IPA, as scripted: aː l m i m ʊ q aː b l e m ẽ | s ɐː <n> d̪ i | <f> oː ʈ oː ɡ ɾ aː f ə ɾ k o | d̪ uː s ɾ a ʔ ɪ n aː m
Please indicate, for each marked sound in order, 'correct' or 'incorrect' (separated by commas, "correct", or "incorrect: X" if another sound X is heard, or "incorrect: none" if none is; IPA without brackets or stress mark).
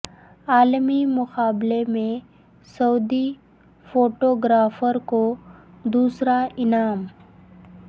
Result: incorrect: none, correct